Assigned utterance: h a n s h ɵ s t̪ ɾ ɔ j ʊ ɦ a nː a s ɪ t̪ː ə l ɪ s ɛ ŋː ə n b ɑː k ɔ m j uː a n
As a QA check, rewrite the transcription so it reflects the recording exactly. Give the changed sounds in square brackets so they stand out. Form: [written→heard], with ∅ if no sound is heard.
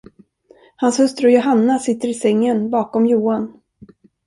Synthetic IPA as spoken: h a n s h ɵ s t̪ ɾ ɔ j ʊ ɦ a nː a s ɪ t̪ː ə [l→ɾ] ɪ s ɛ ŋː ə n b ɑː k ɔ m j uː a n